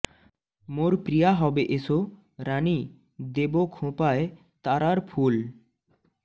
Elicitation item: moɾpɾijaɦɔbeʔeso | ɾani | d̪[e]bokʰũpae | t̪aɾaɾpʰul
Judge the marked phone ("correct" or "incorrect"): correct